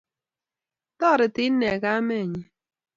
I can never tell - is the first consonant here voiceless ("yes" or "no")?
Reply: yes